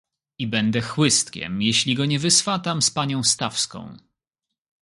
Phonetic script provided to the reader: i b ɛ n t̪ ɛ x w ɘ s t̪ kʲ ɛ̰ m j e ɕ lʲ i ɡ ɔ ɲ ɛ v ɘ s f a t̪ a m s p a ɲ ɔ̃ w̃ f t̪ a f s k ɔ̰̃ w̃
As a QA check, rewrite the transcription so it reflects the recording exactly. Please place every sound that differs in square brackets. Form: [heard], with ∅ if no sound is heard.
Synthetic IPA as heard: i b ɛ n [d̪] ɛ x w ɘ s t̪ kʲ ɛ̰ m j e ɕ lʲ i ɡ ɔ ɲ ɛ v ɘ s f a t̪ a m s p a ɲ ɔ̃ w̃ [s] t̪ a f s k ɔ̰̃ w̃